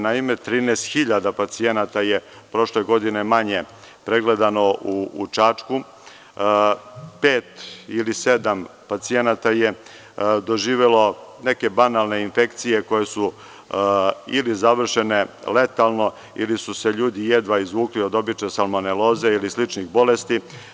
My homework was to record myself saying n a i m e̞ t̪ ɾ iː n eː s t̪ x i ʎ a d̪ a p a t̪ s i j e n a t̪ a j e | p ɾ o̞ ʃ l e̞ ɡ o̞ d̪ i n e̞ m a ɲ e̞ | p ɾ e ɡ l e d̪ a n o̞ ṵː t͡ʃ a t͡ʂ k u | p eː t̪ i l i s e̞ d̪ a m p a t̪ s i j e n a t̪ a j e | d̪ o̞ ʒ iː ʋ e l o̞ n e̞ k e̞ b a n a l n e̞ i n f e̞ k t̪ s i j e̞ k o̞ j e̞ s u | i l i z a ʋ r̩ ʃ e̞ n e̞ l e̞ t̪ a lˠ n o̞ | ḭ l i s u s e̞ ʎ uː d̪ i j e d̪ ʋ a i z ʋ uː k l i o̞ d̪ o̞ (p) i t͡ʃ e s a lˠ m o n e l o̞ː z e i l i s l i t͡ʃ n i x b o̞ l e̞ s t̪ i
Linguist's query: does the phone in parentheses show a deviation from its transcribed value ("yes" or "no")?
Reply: yes